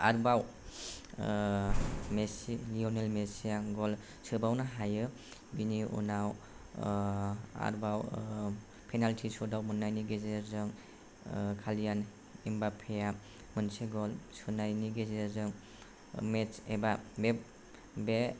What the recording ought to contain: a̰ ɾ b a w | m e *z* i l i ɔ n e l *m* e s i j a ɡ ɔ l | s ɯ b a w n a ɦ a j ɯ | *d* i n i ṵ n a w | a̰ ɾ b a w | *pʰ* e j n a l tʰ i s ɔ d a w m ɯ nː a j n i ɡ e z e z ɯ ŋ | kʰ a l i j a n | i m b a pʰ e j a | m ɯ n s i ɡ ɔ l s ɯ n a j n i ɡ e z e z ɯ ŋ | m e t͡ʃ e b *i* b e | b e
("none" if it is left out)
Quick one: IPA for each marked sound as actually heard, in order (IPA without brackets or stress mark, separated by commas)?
s, m, b, pʰ, a